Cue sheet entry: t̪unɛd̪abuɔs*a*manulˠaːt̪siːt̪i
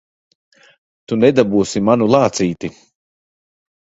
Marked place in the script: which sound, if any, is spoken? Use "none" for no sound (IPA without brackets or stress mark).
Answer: i